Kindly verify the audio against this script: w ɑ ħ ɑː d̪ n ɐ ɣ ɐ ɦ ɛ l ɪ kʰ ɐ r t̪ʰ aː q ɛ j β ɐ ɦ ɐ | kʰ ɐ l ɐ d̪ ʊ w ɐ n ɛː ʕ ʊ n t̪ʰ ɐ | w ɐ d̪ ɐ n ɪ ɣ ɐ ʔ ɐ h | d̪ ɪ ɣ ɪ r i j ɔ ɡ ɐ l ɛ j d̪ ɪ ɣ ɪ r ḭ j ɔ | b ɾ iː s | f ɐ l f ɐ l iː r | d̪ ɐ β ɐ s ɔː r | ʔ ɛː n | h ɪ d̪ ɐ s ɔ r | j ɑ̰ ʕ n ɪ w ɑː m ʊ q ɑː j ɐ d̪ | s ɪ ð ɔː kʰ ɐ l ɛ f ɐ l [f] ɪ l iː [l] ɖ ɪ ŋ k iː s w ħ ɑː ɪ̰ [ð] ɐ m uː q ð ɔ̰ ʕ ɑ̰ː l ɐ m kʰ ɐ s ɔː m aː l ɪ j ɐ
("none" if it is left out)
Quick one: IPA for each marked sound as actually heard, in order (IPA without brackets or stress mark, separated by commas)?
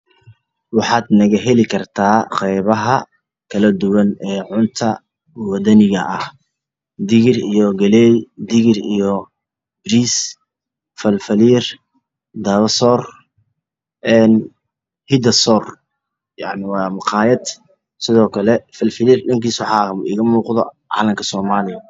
f, r, ɣ